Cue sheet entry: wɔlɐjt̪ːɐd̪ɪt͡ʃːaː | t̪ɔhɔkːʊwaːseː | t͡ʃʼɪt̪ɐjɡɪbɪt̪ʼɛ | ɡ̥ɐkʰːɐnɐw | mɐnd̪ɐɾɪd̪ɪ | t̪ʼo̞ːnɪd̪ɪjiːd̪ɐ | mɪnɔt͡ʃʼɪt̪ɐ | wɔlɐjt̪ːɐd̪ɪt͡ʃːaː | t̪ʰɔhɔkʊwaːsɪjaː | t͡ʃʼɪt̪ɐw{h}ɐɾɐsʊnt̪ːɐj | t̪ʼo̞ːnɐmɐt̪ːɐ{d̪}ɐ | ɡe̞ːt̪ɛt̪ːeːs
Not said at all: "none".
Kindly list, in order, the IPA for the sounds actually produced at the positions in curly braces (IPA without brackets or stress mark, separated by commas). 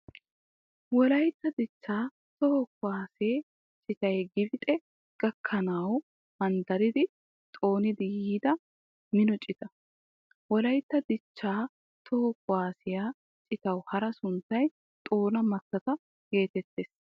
h, t̪